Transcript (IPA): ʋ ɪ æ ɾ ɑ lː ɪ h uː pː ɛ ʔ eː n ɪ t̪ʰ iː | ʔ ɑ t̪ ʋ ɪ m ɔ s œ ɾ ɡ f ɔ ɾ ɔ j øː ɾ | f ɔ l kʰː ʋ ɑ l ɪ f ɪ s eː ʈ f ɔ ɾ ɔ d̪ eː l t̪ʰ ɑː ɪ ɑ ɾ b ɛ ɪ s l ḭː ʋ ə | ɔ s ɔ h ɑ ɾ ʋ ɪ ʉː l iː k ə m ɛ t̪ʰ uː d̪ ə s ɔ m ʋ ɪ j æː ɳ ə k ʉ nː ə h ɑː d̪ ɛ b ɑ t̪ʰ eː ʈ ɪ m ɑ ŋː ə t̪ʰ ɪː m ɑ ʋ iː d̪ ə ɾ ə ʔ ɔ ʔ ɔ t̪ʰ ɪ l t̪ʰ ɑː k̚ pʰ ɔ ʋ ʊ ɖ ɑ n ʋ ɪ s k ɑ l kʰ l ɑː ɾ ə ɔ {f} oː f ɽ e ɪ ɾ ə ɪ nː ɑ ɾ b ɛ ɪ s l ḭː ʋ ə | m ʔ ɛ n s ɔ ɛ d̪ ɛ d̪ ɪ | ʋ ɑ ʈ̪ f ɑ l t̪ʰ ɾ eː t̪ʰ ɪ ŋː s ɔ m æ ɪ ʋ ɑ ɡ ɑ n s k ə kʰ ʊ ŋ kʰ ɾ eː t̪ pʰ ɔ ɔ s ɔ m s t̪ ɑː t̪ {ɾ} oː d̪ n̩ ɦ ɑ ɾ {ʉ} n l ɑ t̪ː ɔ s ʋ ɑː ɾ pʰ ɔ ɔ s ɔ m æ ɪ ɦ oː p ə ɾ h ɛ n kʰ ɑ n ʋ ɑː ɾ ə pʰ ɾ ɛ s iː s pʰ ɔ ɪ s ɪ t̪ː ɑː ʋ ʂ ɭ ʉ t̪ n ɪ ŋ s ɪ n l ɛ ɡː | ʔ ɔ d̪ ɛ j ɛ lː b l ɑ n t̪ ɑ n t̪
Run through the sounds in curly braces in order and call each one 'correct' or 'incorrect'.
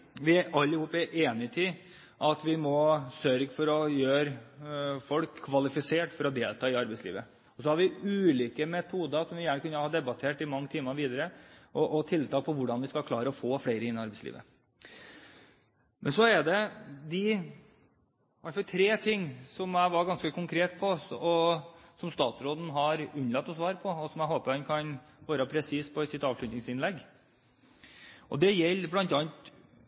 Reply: correct, correct, correct

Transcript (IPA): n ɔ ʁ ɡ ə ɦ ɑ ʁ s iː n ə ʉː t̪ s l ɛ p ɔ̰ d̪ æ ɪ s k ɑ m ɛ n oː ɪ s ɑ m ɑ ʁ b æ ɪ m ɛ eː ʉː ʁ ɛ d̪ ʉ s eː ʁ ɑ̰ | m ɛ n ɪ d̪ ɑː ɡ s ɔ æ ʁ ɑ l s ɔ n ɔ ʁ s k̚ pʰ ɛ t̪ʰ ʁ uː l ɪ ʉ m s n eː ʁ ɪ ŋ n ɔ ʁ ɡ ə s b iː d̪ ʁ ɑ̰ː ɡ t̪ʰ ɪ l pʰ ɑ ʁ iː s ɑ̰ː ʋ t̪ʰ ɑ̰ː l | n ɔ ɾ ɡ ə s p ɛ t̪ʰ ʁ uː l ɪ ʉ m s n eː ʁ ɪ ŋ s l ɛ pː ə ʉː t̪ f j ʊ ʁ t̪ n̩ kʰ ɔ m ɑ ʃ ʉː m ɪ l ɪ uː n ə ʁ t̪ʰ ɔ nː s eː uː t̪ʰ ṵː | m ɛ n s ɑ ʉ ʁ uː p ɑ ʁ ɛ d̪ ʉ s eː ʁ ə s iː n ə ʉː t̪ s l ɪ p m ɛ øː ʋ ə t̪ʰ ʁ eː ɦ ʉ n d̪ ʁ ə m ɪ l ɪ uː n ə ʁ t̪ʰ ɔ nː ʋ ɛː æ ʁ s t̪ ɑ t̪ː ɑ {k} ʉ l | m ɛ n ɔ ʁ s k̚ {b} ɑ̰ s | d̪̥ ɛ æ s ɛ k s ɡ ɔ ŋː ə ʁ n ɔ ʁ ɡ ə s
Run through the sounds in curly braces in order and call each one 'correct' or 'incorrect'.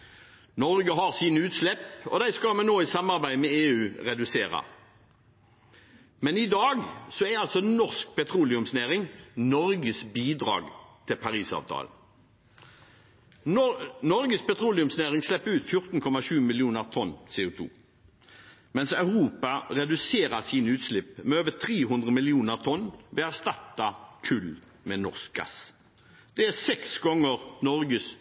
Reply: incorrect: kʰ, incorrect: ɡ

